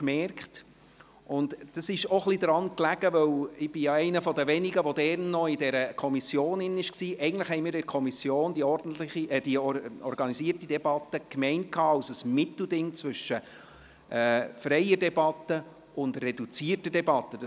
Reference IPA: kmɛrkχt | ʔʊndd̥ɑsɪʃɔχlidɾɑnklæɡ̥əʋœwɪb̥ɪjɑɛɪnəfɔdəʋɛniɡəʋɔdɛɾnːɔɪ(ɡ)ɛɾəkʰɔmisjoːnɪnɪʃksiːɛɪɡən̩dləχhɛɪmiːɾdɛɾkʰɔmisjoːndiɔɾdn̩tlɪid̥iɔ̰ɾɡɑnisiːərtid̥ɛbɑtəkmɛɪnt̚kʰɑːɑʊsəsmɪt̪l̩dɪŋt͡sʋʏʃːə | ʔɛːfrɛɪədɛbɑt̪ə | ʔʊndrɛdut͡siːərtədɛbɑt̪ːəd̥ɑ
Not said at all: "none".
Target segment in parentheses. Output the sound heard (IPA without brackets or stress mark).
d